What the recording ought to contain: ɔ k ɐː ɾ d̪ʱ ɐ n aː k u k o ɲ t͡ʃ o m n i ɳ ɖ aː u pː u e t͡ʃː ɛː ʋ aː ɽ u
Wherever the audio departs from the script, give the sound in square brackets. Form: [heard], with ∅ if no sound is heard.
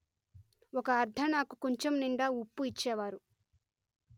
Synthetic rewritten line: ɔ k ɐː ɾ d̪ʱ ɐ n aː k u k o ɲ t͡ʃ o m n i ɳ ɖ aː u pː u [i] t͡ʃː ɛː ʋ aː [ɾ] u

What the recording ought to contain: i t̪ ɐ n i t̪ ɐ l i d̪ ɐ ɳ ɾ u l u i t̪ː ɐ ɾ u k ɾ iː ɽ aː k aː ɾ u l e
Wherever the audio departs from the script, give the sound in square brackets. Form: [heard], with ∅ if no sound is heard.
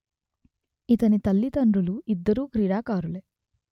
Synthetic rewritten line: i t̪ ɐ n i t̪ ɐ [lː] i [t̪] ɐ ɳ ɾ u l u i [d̪ː] ɐ ɾ [uː] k ɾ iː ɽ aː k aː ɾ u l e

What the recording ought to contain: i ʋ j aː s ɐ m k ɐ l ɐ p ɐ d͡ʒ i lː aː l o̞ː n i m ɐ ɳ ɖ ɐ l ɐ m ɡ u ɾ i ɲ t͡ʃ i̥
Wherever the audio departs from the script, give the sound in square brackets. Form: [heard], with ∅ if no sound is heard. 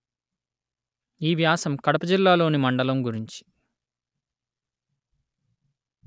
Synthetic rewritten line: [iː] ʋ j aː s ɐ m k ɐ [ɽ] ɐ p ɐ d͡ʒ i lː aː l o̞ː n i m ɐ ɳ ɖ ɐ l ɐ m ɡ u ɾ i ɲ t͡ʃ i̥

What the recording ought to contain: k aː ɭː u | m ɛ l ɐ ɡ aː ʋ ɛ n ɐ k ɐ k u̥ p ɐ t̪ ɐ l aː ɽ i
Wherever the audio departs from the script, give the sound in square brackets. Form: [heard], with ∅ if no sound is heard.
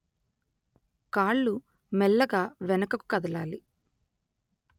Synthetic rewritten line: k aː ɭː u | m ɛ [lː] ɐ ɡ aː ʋ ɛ n ɐ k ɐ k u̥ [k] ɐ [d̪] ɐ l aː [l] i

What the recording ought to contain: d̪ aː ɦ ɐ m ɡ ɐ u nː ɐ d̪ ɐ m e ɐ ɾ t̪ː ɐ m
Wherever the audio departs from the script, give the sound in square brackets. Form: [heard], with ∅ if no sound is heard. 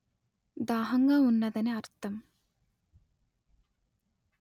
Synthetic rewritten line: d̪ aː ɦ ɐ [ŋ] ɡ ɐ u nː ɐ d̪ ɐ [n] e ɐ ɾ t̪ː ɐ m

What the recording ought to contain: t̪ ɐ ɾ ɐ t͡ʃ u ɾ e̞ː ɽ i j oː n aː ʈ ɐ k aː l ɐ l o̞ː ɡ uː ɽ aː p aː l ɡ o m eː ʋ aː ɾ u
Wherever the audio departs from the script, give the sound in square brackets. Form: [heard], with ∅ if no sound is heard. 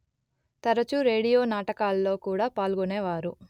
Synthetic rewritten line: t̪ ɐ ɾ ɐ t͡ʃ u ɾ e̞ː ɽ i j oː n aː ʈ ɐ k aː l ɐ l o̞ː [k] uː ɽ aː p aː l ɡ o [n] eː ʋ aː ɾ u

